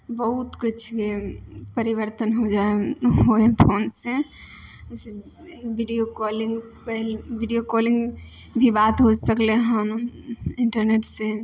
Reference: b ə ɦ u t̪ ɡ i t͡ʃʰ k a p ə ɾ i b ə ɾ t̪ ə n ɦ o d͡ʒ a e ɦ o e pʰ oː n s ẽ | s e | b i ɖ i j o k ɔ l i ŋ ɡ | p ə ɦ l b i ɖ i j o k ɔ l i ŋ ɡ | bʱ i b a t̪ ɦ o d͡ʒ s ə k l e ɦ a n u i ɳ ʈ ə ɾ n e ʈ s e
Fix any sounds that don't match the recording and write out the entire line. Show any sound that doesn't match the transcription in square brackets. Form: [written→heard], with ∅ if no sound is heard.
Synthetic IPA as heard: b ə ɦ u t̪ [ɡ→k] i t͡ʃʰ k [a→e] p ə ɾ i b ə ɾ t̪ ə n ɦ o d͡ʒ a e ɦ o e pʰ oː n s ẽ | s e | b i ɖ i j o k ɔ l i ŋ ɡ | p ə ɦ l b i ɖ i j o k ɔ l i ŋ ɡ | bʱ i b a t̪ ɦ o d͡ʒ s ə k l e ɦ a n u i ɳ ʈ ə ɾ n e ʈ s e